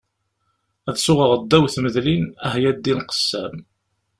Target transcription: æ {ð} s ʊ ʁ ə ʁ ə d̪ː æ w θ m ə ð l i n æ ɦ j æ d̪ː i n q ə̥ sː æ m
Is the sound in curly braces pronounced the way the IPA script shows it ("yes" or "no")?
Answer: yes